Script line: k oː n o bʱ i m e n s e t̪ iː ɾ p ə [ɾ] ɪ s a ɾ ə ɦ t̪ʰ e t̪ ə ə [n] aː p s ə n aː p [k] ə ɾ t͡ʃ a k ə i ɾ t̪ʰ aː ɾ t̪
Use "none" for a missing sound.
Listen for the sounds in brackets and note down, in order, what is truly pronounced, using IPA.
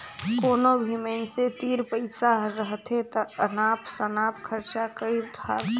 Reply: none, n, kʰ

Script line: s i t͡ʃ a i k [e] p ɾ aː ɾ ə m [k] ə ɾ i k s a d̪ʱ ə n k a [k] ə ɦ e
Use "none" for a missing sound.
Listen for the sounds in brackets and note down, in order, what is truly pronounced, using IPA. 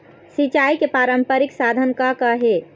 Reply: e, p, k

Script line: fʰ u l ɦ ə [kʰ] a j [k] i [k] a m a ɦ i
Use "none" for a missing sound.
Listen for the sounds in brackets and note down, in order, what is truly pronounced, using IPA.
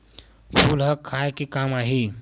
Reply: kʰ, k, k

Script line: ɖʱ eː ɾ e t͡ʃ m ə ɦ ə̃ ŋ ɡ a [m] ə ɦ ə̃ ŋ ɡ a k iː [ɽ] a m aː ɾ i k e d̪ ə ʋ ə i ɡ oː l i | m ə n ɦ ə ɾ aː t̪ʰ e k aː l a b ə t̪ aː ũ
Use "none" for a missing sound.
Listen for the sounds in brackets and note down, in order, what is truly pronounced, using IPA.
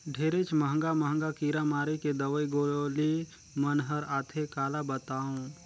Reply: m, ɾ

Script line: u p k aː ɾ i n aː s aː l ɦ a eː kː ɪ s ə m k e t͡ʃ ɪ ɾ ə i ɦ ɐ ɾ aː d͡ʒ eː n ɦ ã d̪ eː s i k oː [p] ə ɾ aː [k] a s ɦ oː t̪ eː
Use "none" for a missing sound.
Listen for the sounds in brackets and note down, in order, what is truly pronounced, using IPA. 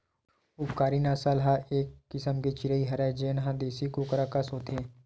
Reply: k, k

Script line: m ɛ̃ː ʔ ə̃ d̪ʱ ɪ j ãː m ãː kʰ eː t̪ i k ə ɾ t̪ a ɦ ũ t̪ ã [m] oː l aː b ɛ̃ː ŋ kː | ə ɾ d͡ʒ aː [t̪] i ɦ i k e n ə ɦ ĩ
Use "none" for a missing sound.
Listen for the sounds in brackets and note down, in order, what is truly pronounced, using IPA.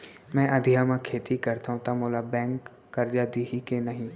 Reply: m, d̪

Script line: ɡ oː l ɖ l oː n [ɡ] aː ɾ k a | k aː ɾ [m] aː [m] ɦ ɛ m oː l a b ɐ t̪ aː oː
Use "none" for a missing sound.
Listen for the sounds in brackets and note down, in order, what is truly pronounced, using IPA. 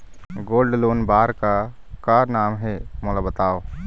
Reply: b, n, m

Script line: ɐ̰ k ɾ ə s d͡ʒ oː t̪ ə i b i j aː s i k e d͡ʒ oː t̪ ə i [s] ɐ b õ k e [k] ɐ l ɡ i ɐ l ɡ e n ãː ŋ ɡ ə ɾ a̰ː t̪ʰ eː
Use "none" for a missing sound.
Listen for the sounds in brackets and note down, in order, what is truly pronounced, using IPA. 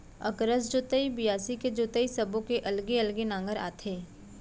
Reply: s, ʔ

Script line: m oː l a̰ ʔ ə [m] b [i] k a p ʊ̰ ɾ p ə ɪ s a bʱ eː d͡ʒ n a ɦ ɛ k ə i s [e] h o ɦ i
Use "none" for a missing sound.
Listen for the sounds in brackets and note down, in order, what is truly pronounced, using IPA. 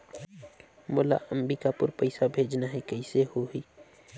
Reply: m, i, e

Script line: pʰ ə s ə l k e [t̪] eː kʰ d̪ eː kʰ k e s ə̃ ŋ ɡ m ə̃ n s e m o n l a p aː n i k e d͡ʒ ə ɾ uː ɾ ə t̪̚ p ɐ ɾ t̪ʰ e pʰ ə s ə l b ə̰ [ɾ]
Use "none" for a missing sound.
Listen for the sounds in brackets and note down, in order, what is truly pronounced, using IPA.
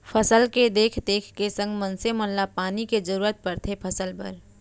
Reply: d̪, ɾ

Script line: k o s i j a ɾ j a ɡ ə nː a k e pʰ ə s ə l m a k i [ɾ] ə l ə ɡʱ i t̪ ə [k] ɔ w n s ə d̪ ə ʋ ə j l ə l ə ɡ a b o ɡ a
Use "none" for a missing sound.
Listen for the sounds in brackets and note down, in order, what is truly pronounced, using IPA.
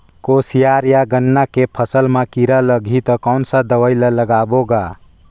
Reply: ɾ, k

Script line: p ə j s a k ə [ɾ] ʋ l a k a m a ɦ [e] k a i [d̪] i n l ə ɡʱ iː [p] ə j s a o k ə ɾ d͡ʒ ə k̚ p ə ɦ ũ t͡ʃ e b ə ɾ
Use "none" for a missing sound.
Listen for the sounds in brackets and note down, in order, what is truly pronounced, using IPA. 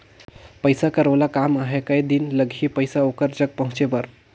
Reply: ɾ, e, d̪, p

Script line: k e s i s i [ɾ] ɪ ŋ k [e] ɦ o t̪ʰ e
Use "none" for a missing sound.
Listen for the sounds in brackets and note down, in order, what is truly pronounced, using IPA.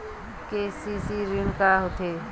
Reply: ɾ, a

